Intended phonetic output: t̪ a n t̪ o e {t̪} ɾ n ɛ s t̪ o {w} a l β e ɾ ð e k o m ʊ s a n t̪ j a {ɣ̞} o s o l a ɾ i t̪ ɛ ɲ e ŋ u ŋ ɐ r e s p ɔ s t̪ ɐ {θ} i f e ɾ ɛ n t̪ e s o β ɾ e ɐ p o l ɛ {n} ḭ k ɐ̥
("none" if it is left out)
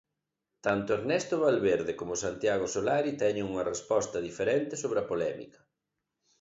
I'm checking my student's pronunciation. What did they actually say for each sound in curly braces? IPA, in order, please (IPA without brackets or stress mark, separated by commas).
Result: none, β, ɣ̞, ð, m